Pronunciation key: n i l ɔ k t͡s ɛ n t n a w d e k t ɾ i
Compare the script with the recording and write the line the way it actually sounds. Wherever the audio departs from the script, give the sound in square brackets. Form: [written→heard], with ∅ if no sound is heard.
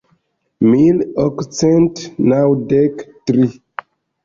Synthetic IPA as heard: [n→m] i l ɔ k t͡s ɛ n t n a w d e k t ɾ i